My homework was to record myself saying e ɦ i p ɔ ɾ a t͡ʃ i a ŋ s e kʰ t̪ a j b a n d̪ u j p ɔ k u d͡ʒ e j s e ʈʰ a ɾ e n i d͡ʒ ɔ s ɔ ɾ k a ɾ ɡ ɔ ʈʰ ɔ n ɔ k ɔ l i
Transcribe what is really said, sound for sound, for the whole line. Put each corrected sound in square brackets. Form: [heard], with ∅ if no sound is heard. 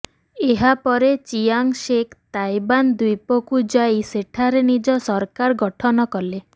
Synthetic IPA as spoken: e ɦ [a] p ɔ ɾ [e] t͡ʃ i a ŋ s e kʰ t̪ a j b a n d̪ u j p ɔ k u d͡ʒ [a] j s e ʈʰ a ɾ e n i d͡ʒ ɔ s ɔ ɾ k a ɾ ɡ ɔ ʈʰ ɔ n ɔ k ɔ l [e]